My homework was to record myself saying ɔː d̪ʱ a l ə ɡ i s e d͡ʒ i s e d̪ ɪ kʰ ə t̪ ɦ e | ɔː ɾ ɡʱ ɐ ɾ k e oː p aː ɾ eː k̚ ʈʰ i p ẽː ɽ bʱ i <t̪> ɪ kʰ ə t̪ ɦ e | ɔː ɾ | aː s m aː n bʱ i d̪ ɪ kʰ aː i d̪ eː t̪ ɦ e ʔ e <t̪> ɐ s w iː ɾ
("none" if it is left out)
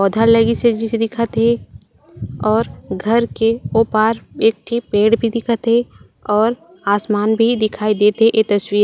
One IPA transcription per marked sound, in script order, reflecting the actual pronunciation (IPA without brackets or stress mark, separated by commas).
d̪, t̪